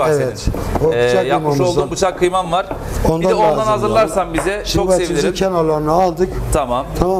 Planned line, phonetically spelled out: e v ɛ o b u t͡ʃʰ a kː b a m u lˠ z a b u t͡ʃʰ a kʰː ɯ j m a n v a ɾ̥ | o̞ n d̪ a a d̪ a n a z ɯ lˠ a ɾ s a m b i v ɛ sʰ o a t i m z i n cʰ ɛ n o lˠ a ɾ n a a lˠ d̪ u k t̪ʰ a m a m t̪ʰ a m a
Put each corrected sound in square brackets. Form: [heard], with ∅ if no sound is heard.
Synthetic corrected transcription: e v ɛ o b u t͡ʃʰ a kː [m] a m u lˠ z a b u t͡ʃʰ a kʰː ɯ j m a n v a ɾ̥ | o̞ n d̪ a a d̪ a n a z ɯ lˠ a ɾ s a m b i [z] ɛ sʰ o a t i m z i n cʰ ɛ n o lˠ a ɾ n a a lˠ d̪ [ɯ] k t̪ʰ a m a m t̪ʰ a m a